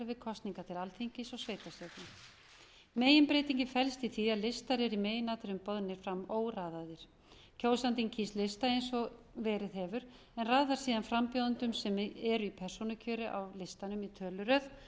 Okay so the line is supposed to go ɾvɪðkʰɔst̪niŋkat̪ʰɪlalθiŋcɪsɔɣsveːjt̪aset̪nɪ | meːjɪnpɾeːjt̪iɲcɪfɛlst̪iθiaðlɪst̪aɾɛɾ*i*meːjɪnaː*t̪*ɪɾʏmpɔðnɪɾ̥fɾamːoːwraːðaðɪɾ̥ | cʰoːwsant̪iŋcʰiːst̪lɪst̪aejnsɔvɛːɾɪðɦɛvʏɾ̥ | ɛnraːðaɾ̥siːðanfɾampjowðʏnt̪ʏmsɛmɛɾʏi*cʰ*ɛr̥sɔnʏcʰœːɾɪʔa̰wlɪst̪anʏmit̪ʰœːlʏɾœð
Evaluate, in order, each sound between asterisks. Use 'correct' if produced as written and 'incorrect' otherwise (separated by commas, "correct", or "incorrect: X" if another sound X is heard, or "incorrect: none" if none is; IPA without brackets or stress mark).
correct, correct, incorrect: pʰ